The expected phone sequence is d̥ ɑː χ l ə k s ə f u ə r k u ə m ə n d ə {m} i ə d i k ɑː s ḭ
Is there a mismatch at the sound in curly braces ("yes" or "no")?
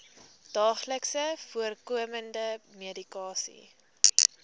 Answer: no